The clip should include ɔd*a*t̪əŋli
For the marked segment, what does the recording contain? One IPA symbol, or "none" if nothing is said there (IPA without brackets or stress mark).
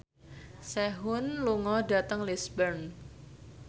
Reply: a